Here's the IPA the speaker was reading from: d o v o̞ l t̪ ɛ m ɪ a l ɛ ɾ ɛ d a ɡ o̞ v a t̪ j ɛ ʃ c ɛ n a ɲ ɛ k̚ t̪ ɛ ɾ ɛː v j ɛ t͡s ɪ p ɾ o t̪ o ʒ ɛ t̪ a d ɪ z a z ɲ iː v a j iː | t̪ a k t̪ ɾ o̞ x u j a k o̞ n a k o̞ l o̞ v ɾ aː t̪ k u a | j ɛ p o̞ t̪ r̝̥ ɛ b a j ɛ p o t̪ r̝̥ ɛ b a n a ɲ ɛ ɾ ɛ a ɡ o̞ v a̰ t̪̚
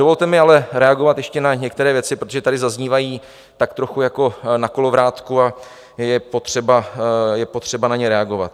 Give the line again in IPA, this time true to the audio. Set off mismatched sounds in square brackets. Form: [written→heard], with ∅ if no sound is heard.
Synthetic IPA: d o v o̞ l t̪ ɛ m ɪ a l ɛ ɾ ɛ [d→∅] a ɡ o̞ v a t̪ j ɛ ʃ c ɛ n a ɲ ɛ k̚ t̪ ɛ ɾ ɛː v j ɛ t͡s ɪ p ɾ o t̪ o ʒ ɛ t̪ a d ɪ z a z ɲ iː v a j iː | t̪ a k t̪ ɾ o̞ x u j a k o̞ n a k o̞ l o̞ v ɾ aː t̪ k u a | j ɛ p o̞ t̪ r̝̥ ɛ b a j ɛ p o t̪ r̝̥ ɛ b a n a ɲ ɛ ɾ ɛ a ɡ o̞ v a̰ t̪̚